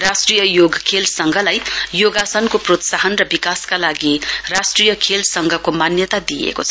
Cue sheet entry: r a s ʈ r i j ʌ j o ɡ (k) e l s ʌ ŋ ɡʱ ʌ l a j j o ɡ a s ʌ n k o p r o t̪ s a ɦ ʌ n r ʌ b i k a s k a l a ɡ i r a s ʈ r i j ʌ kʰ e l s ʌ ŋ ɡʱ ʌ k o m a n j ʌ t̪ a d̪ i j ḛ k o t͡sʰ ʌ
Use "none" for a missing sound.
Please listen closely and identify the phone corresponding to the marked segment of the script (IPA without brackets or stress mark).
kʰ